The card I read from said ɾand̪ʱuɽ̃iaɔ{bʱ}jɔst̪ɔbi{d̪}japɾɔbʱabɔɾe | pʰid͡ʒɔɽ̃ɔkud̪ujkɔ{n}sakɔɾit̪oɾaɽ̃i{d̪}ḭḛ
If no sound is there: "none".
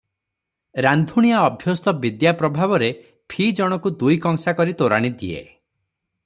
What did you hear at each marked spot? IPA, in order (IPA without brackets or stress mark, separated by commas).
bʱ, d̪, ŋ, d̪